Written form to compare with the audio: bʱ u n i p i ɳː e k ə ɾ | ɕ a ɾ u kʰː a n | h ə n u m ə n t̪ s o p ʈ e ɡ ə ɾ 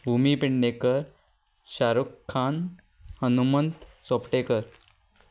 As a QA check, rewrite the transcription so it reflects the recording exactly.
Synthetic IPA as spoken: bʱ u m i p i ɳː e k ə ɾ | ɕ a ɾ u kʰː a n | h ə n u m ə n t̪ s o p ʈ e k ə ɾ